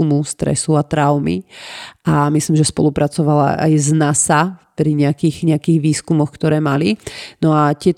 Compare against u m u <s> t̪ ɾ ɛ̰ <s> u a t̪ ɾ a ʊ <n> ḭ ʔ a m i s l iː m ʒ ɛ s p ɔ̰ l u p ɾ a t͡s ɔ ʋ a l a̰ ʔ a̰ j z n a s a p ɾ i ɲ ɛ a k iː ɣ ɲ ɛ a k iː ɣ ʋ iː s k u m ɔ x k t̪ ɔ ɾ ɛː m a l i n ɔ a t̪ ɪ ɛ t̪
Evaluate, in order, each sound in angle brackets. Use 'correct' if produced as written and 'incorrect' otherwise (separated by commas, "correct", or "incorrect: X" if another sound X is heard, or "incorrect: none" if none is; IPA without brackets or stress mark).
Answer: correct, correct, incorrect: m